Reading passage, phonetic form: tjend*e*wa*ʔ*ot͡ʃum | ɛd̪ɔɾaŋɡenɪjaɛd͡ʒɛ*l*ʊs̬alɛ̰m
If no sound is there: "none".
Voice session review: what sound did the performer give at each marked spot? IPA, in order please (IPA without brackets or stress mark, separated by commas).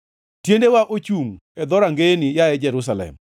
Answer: e, ʔ, ɾ